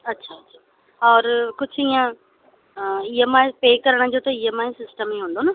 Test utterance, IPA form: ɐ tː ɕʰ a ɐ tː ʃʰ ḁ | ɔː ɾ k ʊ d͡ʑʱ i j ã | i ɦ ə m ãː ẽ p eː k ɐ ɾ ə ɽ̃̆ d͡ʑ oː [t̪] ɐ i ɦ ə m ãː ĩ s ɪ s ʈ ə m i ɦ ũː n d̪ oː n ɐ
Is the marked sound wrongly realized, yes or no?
no